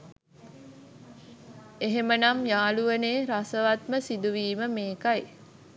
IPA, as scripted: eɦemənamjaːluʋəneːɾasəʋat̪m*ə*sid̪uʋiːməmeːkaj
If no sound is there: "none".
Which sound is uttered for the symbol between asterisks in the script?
ə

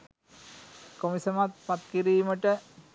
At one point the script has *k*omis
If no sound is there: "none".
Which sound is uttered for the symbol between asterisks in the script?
k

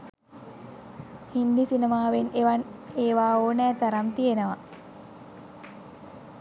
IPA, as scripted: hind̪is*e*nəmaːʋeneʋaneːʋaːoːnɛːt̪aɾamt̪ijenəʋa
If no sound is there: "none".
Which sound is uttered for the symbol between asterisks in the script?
i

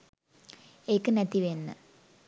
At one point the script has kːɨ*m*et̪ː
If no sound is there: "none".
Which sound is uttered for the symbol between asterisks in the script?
n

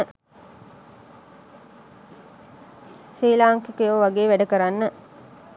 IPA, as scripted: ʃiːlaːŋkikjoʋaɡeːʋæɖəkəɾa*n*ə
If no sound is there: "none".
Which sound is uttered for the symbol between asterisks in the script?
nː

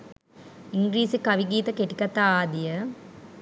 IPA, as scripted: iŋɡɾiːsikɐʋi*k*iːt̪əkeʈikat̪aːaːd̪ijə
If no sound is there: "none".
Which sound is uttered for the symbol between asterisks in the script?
ɡ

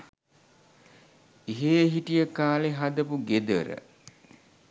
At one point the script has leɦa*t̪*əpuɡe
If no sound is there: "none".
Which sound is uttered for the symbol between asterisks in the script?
d̪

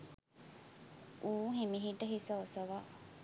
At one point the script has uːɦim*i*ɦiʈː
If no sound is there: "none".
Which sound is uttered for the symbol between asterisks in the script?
i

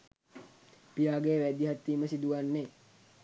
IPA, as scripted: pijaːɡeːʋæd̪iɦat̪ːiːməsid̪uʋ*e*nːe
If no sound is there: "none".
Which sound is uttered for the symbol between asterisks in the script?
a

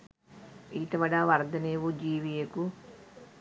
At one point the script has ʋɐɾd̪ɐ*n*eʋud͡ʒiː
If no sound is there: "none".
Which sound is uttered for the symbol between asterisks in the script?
n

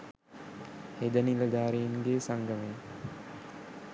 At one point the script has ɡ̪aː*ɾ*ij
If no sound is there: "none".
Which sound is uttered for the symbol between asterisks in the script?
ɾ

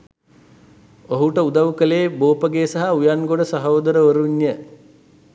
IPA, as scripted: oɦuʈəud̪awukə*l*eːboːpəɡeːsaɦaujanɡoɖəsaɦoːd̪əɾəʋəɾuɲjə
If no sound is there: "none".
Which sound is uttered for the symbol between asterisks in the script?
l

